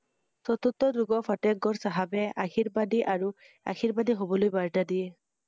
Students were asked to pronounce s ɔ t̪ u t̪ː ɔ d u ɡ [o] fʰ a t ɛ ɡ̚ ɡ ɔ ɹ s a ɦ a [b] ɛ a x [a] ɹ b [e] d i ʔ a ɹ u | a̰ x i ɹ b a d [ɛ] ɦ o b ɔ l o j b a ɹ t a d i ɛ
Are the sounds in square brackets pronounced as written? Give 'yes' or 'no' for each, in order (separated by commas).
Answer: no, yes, no, no, no